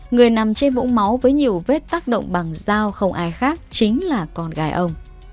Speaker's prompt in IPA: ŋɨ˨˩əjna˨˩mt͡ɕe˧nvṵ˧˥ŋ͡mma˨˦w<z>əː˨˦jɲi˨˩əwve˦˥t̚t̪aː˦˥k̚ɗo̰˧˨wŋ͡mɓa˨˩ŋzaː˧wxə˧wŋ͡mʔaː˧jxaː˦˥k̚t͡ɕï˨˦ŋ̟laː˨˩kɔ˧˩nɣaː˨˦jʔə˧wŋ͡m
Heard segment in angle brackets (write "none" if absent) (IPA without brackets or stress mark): v